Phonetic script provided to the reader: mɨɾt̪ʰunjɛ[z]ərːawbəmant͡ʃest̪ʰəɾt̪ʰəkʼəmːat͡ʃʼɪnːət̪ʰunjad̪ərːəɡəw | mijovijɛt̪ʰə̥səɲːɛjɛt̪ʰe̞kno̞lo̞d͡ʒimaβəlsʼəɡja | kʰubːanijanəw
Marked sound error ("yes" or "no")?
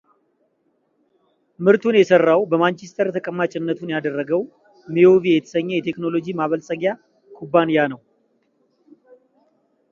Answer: yes